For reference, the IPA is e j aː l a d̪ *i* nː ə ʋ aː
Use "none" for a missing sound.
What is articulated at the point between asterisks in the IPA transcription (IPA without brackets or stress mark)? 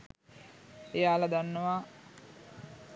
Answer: a